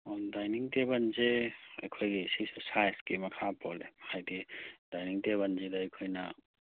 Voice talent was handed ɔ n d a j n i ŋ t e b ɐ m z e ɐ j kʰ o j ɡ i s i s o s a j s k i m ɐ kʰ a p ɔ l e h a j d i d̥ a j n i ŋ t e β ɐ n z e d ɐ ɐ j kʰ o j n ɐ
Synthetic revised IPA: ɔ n d a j n i ŋ t e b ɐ n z e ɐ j kʰ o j ɡ i s i s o s a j s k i m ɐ kʰ a p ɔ l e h a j d i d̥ a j n i ŋ t e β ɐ n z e d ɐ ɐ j kʰ o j n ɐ